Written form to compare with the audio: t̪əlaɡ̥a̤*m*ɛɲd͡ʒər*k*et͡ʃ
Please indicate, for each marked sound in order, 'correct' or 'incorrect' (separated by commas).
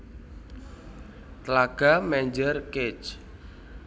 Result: correct, correct